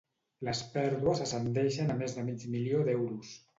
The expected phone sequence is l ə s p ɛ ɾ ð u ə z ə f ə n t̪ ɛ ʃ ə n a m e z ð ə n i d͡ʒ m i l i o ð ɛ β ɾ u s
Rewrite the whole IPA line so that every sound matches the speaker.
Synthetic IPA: l ə s p ɛ ɾ ð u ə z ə s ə n d̪ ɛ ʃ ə n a m e z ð ə m i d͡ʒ m i l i o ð ɛ w ɾ u s